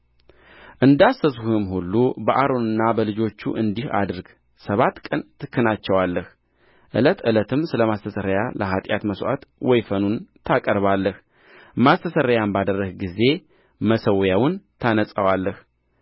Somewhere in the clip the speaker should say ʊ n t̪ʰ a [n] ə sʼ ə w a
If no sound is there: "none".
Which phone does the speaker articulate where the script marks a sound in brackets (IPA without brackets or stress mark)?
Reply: n